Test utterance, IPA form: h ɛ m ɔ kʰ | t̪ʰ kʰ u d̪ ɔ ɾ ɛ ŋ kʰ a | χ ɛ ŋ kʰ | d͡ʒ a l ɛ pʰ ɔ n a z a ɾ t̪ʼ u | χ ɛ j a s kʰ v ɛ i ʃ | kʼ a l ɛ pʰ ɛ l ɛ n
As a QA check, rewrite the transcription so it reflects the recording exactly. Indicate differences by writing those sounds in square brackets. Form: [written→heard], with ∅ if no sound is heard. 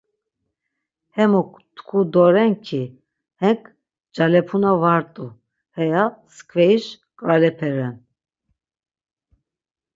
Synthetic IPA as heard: h ɛ m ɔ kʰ | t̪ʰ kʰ u d̪ ɔ ɾ ɛ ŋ kʰ [a→i] | [χ→h] ɛ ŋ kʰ | d͡ʒ a l ɛ pʰ [ɔ→u] n a [z→v] a ɾ t̪ʼ u | [χ→h] ɛ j a s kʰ v ɛ i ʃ | kʼ a l ɛ pʰ ɛ [l→ɾ] ɛ n

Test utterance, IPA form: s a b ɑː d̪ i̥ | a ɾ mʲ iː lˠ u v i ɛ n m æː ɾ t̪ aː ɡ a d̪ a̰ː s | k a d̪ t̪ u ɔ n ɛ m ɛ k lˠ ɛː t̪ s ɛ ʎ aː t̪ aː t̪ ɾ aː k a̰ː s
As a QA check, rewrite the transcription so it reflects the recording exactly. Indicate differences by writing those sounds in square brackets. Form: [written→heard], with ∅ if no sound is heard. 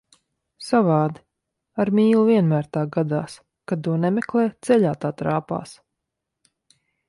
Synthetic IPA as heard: s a [b→v] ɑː d̪ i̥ | a ɾ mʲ iː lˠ u v i ɛ n m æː ɾ t̪ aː ɡ a d̪ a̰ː s | k a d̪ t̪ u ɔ n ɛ m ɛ k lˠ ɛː t̪ s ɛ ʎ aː t̪ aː t̪ ɾ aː [k→p] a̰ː s

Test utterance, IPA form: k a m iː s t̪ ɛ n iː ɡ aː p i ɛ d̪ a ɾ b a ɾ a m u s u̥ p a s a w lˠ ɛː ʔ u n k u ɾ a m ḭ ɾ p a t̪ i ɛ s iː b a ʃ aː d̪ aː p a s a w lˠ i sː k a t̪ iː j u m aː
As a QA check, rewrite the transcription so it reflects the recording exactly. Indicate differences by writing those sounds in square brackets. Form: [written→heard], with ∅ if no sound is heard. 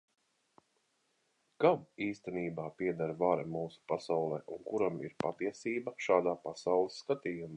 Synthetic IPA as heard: k a m iː s t̪ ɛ n iː [ɡ→b] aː p i ɛ d̪ a ɾ [b→v] a ɾ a m [u→uː] s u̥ p a s a w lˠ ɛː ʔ u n k u ɾ a m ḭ ɾ p a t̪ i ɛ s iː b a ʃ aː d̪ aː p a s a w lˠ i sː k a t̪ iː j u m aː

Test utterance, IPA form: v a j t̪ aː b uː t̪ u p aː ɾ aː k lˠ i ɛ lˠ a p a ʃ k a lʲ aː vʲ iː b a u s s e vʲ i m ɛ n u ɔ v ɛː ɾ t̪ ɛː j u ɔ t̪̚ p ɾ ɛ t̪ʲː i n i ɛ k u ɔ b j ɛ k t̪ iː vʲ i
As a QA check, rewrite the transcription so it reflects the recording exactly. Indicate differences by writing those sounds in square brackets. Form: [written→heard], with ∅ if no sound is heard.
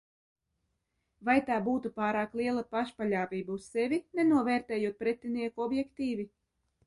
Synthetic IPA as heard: v a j t̪ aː b uː t̪ u p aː ɾ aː k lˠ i ɛ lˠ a p a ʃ [k→p] a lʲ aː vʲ iː b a u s s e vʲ i [m→n] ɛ n u ɔ v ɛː ɾ t̪ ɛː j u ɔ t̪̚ p ɾ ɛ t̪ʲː i n i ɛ k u ɔ b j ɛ k t̪ iː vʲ i

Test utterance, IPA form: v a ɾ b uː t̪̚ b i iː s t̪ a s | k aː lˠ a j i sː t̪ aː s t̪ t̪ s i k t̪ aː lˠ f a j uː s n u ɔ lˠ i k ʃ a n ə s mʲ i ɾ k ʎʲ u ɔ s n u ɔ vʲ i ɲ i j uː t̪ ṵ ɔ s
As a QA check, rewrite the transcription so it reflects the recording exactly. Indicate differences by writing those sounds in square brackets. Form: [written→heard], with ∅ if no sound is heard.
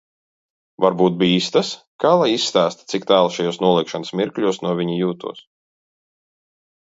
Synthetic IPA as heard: v a ɾ b uː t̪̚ b i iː s t̪ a s | k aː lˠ a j i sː t̪ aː s t̪ t̪ s i k t̪ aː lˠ [f→ʃ] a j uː s n u ɔ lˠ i k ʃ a n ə s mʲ i ɾ k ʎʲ u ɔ s n u ɔ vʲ i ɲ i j uː t̪ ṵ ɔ s

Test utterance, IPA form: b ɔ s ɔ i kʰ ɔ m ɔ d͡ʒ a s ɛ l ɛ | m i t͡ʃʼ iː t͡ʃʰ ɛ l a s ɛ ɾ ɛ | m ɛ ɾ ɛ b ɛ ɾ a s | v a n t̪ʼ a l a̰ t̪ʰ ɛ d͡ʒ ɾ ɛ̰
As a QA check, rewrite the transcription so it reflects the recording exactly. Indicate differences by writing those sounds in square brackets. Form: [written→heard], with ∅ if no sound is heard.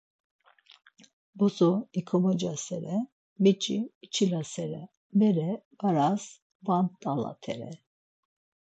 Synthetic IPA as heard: b ɔ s ɔ i kʰ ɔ m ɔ d͡ʒ a s ɛ [l→ɾ] ɛ | m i t͡ʃʼ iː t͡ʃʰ [ɛ→i] l a s ɛ ɾ ɛ | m ɛ ɾ ɛ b [ɛ→a] ɾ a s | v a n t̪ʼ a l a̰ t̪ʰ ɛ [d͡ʒ→∅] ɾ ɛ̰

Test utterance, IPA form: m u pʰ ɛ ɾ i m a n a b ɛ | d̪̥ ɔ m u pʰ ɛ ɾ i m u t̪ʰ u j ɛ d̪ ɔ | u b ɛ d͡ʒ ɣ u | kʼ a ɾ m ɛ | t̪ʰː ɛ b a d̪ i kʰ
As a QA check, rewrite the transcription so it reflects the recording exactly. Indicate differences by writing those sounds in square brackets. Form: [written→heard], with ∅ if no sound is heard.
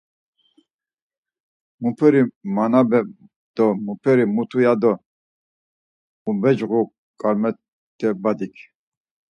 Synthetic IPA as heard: m u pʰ ɛ ɾ i m a n a b ɛ | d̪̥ ɔ m u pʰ ɛ ɾ i m u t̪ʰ u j [ɛ→a] d̪ ɔ | u b ɛ d͡ʒ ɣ u | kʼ a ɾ m ɛ | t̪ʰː ɛ b a d̪ i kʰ

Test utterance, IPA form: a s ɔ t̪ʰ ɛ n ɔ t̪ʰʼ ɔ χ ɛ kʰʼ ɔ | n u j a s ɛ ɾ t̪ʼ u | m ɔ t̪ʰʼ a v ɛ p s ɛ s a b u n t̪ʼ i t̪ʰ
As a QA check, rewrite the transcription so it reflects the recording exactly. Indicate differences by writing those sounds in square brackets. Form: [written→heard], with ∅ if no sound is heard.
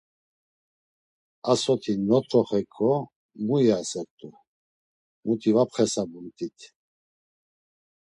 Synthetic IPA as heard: a s ɔ t̪ʰ [ɛ→i] n ɔ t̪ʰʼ ɔ χ ɛ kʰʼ ɔ | [n→m] u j a s ɛ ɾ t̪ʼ u | m [ɔ→u] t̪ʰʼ [a→i] v [ɛ→a] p [s→χ] ɛ s a b u n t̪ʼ i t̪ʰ

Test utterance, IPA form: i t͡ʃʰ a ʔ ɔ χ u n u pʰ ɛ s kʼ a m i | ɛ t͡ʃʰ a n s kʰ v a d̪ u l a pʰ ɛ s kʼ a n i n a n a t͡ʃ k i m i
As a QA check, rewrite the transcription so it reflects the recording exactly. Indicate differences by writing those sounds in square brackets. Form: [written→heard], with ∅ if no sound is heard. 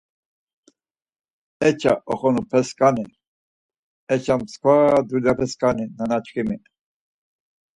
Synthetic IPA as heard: [i→ɛ] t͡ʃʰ a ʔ ɔ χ [u→ɔ] n u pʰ ɛ s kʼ a [m→n] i | ɛ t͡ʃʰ a [n→m] s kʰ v a d̪ u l a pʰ ɛ s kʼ a n i n a n a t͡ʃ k i m i

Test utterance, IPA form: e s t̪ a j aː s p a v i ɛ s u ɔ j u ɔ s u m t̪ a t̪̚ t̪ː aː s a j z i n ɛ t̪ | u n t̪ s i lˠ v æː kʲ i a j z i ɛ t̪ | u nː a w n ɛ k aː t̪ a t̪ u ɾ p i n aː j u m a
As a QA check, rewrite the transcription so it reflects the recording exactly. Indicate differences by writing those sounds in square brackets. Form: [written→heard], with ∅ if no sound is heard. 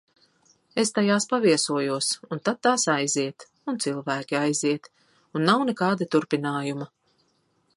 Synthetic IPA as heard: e s t̪ a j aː s p a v i ɛ s u ɔ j u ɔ s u [m→n] t̪ a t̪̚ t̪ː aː s a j z i [n→∅] ɛ t̪ | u n t̪ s i lˠ v æː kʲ i a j z i ɛ t̪ | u nː a w n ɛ k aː [t̪→d̪] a t̪ u ɾ p i n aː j u m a

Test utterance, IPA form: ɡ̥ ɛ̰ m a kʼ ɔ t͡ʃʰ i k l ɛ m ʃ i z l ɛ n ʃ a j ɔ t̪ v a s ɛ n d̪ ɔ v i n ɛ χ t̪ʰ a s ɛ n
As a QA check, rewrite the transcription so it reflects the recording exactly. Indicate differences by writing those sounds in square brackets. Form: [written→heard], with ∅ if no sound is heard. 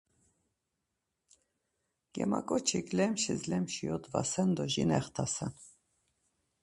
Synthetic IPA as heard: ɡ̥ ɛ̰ m a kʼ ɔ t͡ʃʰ i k l ɛ m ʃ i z l ɛ [n→m] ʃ [a→i] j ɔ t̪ v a s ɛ n d̪ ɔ [v→ʒ] i n ɛ χ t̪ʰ a s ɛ n

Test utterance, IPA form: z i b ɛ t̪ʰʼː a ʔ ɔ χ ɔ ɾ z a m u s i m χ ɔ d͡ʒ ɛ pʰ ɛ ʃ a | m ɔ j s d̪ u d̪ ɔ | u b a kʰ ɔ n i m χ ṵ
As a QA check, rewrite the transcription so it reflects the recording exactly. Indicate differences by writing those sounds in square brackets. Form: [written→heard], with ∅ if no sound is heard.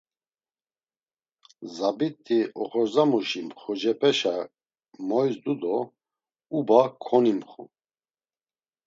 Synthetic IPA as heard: z [i→a] b [ɛ→i] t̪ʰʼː [a→i] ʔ ɔ χ ɔ ɾ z a m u [s→ʃ] i m χ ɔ d͡ʒ ɛ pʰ ɛ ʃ a | m ɔ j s d̪ u d̪ ɔ | u b a kʰ ɔ n i m χ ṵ

